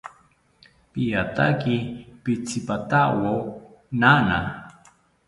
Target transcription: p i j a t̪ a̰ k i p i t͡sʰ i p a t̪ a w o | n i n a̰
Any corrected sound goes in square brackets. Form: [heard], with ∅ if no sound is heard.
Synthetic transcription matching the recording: p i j a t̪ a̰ k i p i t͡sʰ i p a t̪ a w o | n [a] n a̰